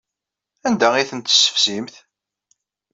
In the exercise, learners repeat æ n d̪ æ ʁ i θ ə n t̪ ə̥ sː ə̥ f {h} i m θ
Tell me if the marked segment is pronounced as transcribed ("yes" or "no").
no